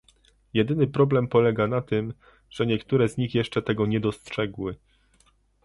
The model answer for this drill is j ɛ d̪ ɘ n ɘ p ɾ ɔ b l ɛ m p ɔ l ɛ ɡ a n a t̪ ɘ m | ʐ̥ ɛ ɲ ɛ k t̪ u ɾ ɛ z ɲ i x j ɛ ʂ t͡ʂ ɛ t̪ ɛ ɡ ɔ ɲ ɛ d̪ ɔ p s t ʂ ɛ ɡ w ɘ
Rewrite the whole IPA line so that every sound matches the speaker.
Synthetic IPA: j ɛ d̪ ɘ n ɘ p ɾ ɔ b l ɛ m p ɔ l ɛ ɡ a n a t̪ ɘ m | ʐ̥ ɛ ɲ ɛ k t̪ u ɾ ɛ z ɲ i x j ɛ ʂ t͡ʂ ɛ t̪ ɛ ɡ ɔ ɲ ɛ d̪ ɔ s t ʂ ɛ ɡ w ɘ

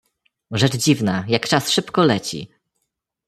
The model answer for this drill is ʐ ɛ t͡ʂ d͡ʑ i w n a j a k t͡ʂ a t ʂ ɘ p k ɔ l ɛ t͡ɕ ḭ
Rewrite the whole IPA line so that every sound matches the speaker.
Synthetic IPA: ʐ ɛ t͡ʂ d͡ʑ i v n a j a k t͡ʂ a s ʂ ɘ p k ɔ l ɛ t͡ɕ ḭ

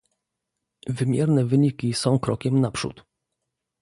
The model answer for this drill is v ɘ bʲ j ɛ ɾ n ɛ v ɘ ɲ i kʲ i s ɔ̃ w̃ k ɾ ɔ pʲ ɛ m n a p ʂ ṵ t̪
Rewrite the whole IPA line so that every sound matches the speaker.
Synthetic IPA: v ɘ mʲ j ɛ ɾ n ɛ v ɘ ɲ i kʲ i s ɔ̃ w̃ k ɾ ɔ kʲ ɛ m n a p ʂ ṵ t̪

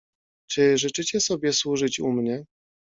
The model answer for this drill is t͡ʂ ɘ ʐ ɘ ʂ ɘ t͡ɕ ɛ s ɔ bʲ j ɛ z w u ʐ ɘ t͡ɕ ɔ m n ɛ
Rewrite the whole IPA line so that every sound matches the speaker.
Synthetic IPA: t͡ʂ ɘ ʐ ɘ t͡ʂ ɘ t͡ɕ ɛ s ɔ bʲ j ɛ s w u ʐ ɘ t͡ɕ u m ɲ ɛ

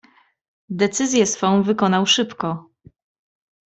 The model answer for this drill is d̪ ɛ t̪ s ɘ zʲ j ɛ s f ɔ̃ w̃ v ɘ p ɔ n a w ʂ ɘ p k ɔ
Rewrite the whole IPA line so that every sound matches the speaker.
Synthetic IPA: d̪ ɛ t̪ s ɘ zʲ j ɛ s f ɔ̃ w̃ v ɘ k ɔ n a w ʂ ɘ p k ɔ

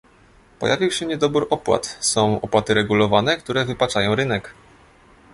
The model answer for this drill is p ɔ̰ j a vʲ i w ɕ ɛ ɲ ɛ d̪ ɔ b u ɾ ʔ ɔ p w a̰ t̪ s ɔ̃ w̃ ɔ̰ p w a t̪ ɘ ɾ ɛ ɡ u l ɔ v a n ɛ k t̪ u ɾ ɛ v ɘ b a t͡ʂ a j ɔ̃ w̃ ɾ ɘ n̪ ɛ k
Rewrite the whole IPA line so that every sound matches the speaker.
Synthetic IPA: p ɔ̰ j a vʲ i w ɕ ɛ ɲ ɛ d̪ ɔ b u ɾ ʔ ɔ p w a̰ t̪ s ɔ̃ w̃ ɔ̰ p w a t̪ ɘ ɾ ɛ ɡ u l ɔ v a n ɛ k t̪ u ɾ ɛ v ɘ p a t͡ʂ a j ɔ̃ w̃ ɾ ɘ n̪ ɛ k

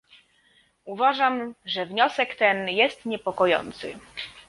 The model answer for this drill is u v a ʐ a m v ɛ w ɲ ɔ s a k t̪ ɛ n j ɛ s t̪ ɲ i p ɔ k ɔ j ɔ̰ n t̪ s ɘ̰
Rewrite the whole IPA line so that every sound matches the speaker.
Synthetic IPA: u v a ʐ a m ʐ ɛ v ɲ ɔ s ɛ k t̪ ɛ n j ɛ s t̪ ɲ ɛ p ɔ k ɔ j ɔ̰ n t̪ s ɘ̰

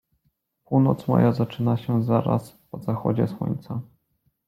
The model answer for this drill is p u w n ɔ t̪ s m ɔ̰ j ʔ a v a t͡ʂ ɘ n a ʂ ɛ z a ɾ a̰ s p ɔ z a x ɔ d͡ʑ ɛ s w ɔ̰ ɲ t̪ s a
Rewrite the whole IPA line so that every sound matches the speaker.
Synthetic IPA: p u w n ɔ t̪ s m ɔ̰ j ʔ a z a t͡ʂ ɘ n a ɕ ɛ z a ɾ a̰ s p ɔ z a x ɔ d͡ʑ ɛ s w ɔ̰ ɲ t̪ s a

